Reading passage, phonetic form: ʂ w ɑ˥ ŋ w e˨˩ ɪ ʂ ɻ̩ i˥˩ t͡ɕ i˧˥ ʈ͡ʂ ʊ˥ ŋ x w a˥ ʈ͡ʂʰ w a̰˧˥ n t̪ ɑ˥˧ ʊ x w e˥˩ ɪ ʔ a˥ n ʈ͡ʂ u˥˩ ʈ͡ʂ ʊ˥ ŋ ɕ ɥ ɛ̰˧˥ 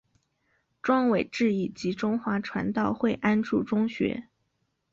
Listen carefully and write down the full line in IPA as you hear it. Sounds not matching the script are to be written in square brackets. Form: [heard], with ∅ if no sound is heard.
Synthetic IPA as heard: [ʈ͡ʂ] w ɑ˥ ŋ w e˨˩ ɪ [ʈ͡ʂ] ɻ̩ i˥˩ t͡ɕ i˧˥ ʈ͡ʂ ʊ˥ ŋ x w [a˧˥] ʈ͡ʂʰ w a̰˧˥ n t̪ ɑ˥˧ ʊ x w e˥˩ ɪ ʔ a˥ n ʈ͡ʂ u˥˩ ʈ͡ʂ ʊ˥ ŋ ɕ ɥ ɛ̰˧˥